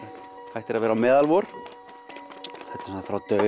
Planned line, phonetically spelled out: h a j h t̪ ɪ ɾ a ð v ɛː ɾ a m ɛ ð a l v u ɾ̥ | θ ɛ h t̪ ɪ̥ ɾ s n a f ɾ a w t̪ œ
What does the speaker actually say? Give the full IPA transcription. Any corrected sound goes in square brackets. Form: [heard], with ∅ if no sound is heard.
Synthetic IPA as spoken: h a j h t̪ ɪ ɾ a ð v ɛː ɾ a m [ɛː] ð a l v [ɔ] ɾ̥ | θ ɛ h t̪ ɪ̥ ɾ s n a f ɾ a w t̪ œ